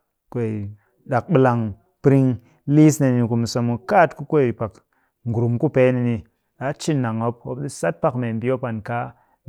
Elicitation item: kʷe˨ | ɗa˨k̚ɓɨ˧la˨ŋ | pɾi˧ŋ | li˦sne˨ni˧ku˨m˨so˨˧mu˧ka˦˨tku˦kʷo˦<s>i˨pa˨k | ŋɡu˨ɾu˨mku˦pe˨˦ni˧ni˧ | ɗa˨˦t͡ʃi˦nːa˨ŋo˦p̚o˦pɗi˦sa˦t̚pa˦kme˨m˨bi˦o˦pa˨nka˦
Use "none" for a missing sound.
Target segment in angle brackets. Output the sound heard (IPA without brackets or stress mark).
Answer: none